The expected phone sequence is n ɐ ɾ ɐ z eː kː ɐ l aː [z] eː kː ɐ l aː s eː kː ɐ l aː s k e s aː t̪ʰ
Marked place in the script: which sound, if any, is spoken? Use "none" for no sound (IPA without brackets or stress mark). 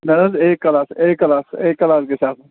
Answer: s